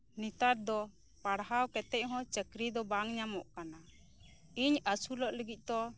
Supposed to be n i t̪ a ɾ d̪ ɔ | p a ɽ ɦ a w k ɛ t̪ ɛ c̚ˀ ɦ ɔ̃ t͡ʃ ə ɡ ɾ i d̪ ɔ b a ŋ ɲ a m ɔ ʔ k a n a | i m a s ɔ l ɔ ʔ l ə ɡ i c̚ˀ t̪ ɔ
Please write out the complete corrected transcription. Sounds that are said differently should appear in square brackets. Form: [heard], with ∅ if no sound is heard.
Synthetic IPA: n i t̪ a ɾ d̪ ɔ | p a ɽ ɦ a w k ɛ t̪ ɛ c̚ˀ ɦ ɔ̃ t͡ʃ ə [k] ɾ i d̪ ɔ b a ŋ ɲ a m ɔ ʔ k a n a | i [ɲ] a s [u] l ɔ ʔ l ə ɡ i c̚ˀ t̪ ɔ